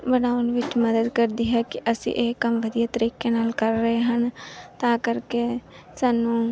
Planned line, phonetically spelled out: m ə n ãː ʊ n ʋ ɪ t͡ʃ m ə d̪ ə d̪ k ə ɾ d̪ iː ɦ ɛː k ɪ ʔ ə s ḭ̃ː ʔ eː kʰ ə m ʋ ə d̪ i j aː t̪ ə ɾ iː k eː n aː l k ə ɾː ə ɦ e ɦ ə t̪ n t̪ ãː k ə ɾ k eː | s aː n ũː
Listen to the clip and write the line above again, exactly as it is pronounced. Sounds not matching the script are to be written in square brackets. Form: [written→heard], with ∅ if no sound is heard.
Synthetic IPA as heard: [m→b] ə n [ãː→aː] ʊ n ʋ ɪ t͡ʃ m ə d̪ ə d̪ k ə ɾ d̪ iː ɦ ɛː k ɪ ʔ ə s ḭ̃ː ʔ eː [kʰ→k] ə m ʋ ə d̪ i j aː t̪ ə ɾ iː k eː n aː l k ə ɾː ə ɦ e ɦ ə [t̪→∅] n t̪ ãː k ə ɾ k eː | s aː n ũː